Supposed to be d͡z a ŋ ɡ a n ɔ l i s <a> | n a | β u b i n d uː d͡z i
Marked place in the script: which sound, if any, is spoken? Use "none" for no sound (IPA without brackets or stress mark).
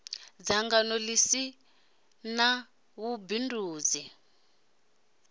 i